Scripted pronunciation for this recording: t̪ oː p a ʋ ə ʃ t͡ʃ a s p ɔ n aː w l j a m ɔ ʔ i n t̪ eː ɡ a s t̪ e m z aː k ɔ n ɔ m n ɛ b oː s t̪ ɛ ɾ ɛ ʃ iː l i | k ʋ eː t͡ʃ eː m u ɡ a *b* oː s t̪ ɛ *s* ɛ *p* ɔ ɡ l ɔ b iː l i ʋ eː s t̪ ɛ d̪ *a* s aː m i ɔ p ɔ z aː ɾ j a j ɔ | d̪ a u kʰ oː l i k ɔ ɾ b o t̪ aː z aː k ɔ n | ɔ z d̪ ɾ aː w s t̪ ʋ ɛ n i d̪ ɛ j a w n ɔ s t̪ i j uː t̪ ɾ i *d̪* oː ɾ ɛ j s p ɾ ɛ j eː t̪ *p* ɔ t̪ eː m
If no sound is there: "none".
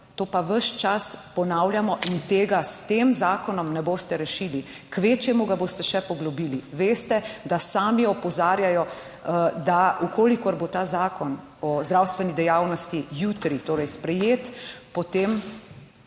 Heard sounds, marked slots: b, ʃ, p, a, t̪, p

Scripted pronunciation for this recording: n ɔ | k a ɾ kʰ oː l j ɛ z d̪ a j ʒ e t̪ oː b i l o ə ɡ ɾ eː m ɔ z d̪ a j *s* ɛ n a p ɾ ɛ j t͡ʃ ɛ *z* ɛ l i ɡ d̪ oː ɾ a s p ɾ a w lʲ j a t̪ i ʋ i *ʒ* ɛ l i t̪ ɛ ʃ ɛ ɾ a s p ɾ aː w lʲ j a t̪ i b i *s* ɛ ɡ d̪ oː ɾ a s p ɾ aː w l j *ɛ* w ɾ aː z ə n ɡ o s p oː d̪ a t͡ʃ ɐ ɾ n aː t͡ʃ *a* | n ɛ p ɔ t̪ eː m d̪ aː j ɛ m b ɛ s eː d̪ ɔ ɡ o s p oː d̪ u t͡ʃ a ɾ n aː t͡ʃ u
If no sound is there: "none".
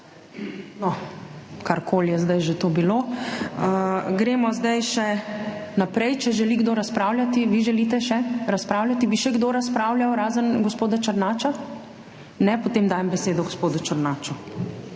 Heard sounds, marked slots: ʃ, ʒ, ʒ, ʃ, a, a

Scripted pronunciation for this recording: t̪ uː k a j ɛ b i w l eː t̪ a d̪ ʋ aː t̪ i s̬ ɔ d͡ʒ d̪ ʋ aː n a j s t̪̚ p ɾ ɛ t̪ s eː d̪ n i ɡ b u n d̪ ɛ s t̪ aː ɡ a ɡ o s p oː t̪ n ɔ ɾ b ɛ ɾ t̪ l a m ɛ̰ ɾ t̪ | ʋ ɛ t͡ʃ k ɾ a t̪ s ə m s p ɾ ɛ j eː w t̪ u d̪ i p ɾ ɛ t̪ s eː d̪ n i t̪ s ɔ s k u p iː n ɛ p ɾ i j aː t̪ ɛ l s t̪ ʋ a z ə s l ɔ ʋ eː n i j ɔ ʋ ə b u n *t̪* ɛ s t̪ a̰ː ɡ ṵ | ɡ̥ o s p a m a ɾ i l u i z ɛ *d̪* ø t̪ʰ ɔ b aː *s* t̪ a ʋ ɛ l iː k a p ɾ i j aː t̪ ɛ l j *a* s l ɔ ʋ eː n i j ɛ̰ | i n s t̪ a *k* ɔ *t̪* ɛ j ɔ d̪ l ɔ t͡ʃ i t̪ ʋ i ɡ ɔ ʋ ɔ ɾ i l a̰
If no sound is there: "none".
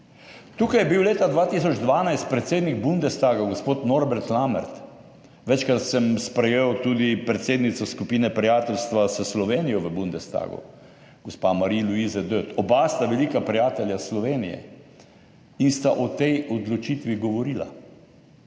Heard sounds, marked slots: d̪, d̪, s, a, ʔ, t̪

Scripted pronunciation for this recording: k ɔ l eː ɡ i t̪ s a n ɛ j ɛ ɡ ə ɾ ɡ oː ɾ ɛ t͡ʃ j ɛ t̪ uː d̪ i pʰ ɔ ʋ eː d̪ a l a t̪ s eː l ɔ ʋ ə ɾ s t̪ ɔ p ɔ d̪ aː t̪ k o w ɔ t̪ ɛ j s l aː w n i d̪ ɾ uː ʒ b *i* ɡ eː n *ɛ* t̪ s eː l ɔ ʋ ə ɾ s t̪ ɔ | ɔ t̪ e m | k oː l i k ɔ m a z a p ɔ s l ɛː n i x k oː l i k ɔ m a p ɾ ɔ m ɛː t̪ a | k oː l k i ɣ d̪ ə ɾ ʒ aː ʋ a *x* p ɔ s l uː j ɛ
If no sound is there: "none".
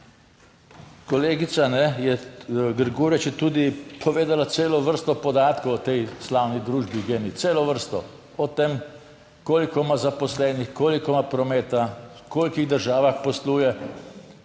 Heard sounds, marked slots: i, i, x

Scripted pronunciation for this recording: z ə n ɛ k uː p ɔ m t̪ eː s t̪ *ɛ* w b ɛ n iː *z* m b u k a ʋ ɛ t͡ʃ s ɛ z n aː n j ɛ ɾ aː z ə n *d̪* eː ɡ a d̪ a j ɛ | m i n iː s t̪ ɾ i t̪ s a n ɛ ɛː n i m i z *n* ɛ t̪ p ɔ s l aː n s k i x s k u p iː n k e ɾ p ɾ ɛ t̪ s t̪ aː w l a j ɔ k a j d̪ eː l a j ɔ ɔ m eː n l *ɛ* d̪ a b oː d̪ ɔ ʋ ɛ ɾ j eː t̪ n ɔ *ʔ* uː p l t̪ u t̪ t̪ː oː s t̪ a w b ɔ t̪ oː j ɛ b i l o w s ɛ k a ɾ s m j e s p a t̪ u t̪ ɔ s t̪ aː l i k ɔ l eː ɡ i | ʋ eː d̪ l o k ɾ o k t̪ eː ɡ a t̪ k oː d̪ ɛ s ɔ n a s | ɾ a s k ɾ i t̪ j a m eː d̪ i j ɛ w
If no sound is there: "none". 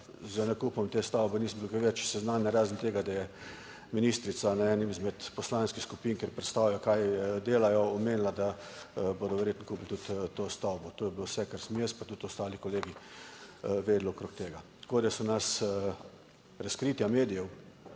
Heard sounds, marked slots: a, s, t̪, m, a, k

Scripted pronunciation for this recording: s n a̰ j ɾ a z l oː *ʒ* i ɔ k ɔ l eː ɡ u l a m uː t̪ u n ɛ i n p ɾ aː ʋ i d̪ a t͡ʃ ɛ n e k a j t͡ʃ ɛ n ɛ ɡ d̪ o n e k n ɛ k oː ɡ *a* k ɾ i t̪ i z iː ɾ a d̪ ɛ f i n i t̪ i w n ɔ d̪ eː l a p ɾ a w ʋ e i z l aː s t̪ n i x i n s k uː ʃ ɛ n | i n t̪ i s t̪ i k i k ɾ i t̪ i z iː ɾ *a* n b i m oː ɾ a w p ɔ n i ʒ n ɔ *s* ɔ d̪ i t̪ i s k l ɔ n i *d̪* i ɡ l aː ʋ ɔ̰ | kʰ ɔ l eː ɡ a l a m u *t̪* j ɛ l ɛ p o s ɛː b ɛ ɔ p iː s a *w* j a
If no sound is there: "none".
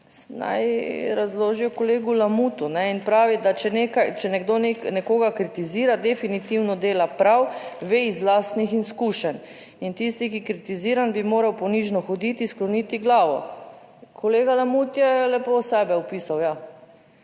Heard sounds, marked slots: ʒ, a, a, x, t̪, t̪, w

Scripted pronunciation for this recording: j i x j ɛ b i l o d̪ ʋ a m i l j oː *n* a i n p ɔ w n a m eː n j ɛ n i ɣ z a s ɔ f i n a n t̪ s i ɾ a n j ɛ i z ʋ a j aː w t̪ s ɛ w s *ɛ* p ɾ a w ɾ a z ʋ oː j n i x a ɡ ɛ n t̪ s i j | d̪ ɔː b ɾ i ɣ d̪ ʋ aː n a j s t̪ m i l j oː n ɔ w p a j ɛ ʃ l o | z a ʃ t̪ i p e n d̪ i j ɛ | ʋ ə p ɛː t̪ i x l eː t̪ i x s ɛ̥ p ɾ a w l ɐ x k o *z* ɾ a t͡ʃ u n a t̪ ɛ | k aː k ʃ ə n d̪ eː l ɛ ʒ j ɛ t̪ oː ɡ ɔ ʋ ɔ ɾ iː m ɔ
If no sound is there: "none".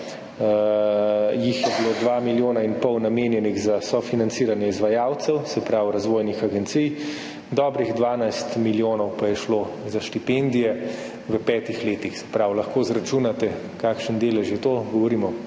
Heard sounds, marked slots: n, ɛ, z

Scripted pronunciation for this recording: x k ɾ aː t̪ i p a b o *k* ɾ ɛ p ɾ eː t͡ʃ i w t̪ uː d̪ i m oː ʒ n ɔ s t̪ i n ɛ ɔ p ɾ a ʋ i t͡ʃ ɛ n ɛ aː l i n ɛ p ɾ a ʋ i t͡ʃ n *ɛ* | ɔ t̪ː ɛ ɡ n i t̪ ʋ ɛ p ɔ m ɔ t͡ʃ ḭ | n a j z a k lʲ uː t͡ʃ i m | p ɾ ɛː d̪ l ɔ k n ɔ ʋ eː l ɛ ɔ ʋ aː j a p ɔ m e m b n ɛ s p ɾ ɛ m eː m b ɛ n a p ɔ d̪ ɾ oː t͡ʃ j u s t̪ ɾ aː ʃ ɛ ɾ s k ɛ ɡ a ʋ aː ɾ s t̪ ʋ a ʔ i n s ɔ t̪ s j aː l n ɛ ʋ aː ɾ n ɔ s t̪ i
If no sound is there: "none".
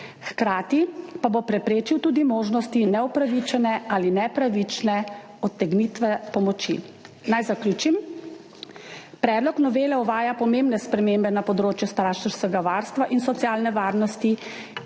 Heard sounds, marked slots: p, ɛ

